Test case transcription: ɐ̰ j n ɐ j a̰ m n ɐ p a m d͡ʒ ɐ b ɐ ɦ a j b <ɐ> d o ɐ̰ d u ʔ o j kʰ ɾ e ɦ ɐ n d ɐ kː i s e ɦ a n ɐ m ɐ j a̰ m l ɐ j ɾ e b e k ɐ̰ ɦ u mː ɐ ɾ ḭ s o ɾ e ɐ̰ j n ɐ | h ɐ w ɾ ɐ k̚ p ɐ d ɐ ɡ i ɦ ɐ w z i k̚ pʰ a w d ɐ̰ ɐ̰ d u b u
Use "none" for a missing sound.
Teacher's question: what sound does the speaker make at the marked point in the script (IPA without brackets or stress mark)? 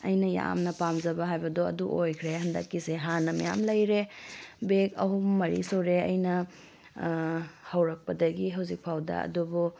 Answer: ɐ